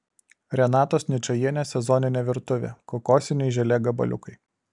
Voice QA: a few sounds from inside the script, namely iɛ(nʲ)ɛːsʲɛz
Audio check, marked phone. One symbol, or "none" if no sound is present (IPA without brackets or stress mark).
nʲ